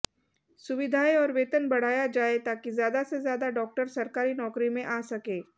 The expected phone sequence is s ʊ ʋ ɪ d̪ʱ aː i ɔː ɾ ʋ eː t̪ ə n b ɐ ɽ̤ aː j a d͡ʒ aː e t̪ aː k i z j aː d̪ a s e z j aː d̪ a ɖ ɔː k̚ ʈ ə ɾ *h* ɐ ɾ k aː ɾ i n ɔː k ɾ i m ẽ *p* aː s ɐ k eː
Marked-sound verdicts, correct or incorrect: incorrect, incorrect

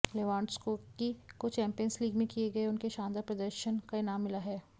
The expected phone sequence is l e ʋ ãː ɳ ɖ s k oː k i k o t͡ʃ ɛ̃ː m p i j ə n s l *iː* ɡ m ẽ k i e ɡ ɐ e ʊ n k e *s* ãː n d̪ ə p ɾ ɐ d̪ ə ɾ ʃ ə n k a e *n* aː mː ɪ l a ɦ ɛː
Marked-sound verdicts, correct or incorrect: correct, incorrect, correct

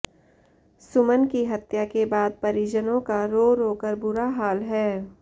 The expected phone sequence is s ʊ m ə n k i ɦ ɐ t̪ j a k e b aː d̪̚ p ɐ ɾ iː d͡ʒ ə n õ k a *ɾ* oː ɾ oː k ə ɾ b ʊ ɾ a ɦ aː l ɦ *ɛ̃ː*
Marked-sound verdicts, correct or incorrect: correct, incorrect

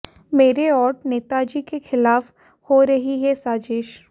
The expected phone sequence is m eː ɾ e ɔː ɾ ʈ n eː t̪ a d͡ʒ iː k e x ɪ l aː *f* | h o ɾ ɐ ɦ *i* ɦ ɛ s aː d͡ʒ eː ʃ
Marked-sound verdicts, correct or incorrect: correct, correct

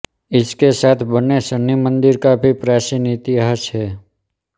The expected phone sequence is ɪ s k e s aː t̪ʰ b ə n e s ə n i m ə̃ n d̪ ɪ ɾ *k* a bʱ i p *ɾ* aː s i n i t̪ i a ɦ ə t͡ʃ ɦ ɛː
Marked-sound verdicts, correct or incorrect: correct, correct

